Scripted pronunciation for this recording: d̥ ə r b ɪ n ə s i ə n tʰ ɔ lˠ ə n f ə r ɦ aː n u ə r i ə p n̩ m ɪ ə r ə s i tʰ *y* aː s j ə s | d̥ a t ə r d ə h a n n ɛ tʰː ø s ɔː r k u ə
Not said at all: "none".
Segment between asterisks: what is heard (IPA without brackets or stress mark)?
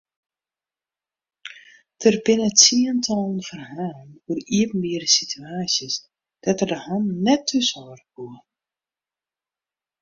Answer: y